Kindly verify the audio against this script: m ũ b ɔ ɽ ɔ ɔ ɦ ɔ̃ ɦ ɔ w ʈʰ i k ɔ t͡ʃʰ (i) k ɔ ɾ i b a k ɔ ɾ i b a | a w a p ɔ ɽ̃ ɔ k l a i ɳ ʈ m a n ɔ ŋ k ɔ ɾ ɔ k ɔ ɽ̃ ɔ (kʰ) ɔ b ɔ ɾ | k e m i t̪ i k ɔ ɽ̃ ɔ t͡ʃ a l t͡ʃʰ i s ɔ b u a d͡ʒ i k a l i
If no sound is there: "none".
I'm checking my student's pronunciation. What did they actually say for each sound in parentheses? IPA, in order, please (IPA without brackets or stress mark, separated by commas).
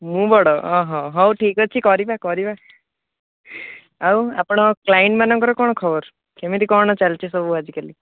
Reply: i, kʰ